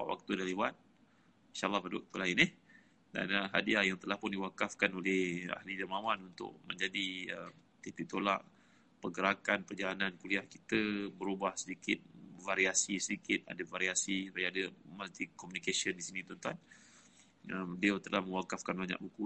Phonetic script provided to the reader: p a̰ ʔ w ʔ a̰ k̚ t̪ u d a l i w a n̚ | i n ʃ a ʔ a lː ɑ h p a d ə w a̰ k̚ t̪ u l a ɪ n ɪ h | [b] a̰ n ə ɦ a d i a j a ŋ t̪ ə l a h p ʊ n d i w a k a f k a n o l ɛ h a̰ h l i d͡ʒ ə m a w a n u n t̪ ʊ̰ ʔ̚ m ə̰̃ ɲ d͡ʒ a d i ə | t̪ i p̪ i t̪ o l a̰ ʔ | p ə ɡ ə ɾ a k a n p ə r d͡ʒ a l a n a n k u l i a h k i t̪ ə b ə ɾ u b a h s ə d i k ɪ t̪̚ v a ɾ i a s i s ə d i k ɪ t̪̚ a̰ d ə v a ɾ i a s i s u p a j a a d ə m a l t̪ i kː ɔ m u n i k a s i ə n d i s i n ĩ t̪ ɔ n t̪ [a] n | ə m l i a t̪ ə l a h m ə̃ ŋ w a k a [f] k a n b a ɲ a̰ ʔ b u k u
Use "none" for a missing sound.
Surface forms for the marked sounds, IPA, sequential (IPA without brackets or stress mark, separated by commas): d, a, f